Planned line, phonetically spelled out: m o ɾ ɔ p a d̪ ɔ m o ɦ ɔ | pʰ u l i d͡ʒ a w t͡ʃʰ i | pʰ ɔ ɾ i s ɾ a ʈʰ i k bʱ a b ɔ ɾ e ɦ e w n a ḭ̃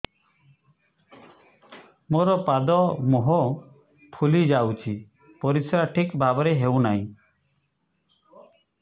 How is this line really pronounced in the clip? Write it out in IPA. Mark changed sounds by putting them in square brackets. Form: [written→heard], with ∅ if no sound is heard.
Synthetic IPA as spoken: m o ɾ ɔ p a d̪ ɔ m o ɦ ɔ | pʰ u l i d͡ʒ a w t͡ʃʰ i | [pʰ→p] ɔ ɾ i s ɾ a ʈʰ i k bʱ a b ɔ ɾ e ɦ e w n a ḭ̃